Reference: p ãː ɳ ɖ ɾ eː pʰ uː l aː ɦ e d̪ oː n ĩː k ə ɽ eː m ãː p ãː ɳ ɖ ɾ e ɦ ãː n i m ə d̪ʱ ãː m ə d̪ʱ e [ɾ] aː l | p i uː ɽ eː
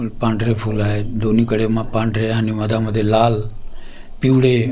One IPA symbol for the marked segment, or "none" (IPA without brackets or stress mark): l